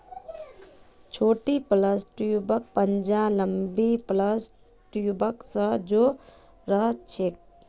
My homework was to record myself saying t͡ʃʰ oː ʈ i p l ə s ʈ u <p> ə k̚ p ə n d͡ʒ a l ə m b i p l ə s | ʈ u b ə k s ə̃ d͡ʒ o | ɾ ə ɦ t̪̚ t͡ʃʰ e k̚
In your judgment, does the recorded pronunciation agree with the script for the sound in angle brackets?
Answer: no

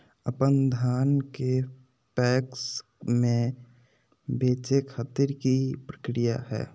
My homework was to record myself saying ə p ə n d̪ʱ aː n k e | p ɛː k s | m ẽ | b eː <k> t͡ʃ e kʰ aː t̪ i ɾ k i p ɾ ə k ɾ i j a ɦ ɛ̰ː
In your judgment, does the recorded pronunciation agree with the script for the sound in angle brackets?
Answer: no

